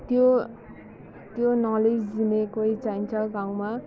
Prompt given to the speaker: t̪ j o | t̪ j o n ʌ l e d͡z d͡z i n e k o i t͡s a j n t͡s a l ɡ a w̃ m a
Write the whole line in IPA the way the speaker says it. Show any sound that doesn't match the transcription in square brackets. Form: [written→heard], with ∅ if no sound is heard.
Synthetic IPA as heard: t̪ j o | t̪ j o n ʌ l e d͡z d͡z i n e k o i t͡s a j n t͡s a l ɡ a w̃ m a